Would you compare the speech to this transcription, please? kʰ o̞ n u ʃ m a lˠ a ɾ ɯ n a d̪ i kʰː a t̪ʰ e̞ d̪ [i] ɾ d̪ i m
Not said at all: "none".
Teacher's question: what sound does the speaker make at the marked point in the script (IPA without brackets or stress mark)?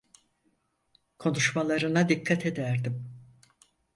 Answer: æ